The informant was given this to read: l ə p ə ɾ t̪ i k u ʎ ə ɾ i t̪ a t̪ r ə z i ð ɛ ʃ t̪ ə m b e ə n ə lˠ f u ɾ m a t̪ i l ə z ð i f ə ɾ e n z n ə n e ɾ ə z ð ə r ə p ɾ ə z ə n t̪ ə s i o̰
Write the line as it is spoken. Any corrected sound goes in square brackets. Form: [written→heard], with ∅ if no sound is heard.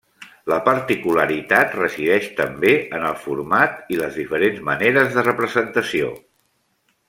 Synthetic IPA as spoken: l ə p ə ɾ t̪ i k u [ʎ→l] ə ɾ i t̪ a t̪ r ə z i ð ɛ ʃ t̪ ə m b e ə n ə lˠ f u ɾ m a t̪ i l ə z ð i f ə ɾ e n z [n→m] ə n e ɾ ə z ð ə r ə p ɾ ə z ə n t̪ ə s i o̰